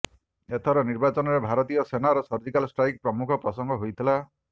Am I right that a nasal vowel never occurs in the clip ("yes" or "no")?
yes